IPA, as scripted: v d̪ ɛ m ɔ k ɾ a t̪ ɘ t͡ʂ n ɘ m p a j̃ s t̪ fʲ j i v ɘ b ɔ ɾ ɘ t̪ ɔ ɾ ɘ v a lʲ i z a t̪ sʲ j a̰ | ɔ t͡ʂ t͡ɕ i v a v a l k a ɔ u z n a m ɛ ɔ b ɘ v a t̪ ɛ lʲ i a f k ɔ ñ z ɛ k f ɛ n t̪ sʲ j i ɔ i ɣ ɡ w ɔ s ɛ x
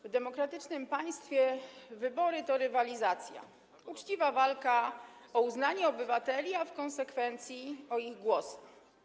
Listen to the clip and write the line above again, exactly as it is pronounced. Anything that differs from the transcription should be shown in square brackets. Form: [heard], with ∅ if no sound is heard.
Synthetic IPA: v d̪ ɛ m ɔ k ɾ a t̪ ɘ t͡ʂ n ɘ m p a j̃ s t̪ fʲ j [ɛ] v ɘ b ɔ ɾ ɘ t̪ ɔ ɾ ɘ v a lʲ i z a t̪ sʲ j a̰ | [u] t͡ʂ t͡ɕ i v a v a l k a ɔ u z n a [ɲ] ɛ ɔ b ɘ v a t̪ ɛ lʲ i a f k ɔ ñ [s] ɛ k f ɛ n t̪ sʲ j i ɔ i ɣ ɡ w ɔ s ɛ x

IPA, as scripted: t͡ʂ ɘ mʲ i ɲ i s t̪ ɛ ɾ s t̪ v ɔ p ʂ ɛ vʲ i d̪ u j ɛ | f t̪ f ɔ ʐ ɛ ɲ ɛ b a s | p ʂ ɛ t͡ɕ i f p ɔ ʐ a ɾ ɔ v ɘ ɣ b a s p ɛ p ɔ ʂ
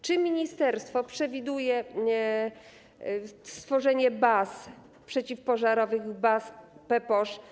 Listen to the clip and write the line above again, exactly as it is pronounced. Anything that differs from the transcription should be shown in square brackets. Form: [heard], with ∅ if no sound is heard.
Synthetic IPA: t͡ʂ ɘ mʲ i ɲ i s t̪ ɛ ɾ s t̪ [f] ɔ p ʂ ɛ vʲ i d̪ u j ɛ | [s] t̪ f ɔ ʐ ɛ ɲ ɛ b a s | p ʂ ɛ t͡ɕ i f p ɔ ʐ a ɾ ɔ v ɘ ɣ b a s p ɛ p ɔ ʂ

